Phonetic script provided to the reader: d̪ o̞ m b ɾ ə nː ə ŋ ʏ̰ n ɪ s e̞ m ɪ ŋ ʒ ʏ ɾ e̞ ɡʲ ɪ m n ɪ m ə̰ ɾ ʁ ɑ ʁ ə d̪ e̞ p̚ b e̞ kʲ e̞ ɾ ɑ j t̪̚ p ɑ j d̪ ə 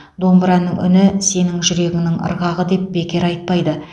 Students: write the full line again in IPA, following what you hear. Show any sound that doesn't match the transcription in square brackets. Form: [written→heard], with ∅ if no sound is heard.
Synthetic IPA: d̪ o̞ m b ɾ [ə→ɑ] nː ə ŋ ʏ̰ n ɪ s e̞ [m→n] ɪ ŋ ʒ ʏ ɾ e̞ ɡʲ ɪ [m→ŋ] n ɪ [m→ŋ] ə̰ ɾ ʁ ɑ ʁ ə d̪ e̞ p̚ b e̞ kʲ e̞ ɾ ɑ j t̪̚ p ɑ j d̪ ə